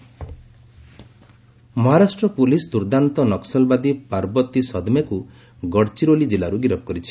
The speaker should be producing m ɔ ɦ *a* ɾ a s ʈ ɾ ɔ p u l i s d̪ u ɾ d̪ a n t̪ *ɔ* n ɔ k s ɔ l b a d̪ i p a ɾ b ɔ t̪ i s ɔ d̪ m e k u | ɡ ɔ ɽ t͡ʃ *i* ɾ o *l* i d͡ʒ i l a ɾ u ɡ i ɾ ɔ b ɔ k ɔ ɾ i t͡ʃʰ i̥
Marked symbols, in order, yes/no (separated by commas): yes, yes, yes, yes